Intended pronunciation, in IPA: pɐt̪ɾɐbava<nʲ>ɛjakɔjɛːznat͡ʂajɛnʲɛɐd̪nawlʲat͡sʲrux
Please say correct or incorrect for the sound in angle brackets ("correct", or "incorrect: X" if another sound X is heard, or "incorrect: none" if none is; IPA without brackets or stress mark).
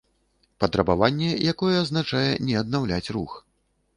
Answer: incorrect: nʲː